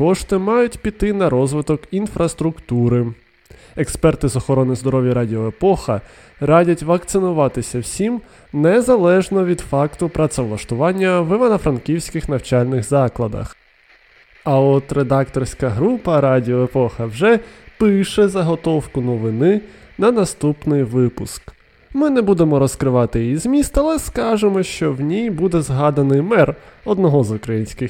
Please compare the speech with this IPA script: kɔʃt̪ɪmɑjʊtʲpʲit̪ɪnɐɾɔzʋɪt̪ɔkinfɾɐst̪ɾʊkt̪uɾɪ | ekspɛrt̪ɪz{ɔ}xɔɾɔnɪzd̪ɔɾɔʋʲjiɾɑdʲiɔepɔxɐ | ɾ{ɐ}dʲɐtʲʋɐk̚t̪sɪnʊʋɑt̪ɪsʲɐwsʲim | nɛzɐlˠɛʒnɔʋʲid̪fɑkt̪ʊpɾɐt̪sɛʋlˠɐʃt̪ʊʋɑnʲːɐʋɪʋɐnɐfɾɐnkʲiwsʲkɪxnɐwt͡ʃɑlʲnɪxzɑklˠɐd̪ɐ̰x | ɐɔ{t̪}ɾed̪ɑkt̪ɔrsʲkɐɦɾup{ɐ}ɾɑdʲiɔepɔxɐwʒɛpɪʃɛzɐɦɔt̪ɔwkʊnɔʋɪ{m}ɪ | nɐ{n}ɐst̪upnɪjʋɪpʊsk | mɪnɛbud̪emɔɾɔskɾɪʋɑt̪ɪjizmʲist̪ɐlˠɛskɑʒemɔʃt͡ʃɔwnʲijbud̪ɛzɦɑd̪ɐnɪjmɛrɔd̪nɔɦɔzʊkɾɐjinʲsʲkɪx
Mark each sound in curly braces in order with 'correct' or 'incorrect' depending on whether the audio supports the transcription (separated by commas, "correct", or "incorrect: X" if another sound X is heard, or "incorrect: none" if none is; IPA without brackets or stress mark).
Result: correct, incorrect: ɑ, correct, correct, incorrect: n, correct